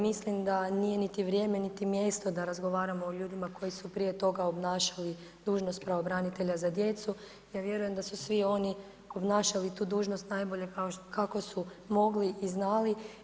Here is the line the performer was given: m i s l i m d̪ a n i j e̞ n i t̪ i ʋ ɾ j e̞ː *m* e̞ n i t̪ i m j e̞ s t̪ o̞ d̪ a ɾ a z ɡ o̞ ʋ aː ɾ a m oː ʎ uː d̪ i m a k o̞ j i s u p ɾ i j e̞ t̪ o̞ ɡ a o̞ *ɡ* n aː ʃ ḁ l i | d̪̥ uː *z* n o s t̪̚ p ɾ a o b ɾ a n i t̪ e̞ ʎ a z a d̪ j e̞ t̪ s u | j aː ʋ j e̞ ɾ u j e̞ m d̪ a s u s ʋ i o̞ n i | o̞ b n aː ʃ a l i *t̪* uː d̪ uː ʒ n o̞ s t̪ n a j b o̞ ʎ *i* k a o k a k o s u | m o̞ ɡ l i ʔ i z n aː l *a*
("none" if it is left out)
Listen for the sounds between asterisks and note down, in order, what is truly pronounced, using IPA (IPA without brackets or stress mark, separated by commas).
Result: m, b, ʒ, t̪, e, i